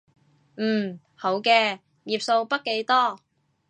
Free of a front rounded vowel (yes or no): yes